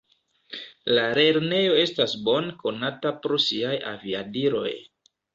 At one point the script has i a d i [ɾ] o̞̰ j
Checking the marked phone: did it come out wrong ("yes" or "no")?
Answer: no